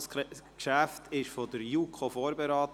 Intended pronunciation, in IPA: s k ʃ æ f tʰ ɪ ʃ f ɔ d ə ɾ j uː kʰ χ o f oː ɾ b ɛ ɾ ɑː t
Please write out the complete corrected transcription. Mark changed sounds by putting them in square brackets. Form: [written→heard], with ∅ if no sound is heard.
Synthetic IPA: s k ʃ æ f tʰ ɪ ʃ f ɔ d ə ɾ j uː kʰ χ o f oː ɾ b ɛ ɾ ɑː t